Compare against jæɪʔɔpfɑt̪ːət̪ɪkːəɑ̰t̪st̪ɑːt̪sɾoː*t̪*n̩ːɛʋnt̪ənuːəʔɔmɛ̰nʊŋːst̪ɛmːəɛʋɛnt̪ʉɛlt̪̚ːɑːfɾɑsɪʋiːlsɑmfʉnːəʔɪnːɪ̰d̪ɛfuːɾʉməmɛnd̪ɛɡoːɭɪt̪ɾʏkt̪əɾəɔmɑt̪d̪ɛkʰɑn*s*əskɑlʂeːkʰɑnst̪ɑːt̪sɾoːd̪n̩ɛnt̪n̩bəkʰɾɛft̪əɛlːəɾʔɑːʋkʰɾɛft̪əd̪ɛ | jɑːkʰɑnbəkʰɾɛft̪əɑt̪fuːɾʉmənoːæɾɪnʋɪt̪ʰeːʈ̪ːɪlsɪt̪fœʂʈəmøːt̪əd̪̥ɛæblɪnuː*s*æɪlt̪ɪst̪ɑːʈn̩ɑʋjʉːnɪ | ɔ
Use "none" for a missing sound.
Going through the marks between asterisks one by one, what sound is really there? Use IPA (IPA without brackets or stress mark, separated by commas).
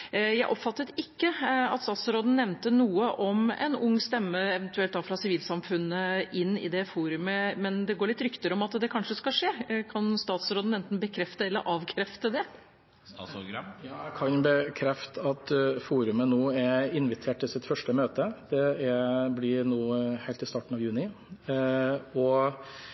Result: d̪, ʂ, h